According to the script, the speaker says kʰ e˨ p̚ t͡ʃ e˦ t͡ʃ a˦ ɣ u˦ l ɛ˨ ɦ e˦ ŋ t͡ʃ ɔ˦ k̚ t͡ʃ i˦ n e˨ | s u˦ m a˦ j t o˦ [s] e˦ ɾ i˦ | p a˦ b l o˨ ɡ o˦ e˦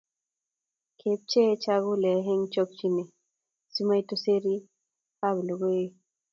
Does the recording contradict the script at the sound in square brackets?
no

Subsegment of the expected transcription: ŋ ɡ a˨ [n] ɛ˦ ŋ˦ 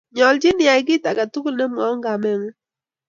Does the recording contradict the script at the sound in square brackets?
yes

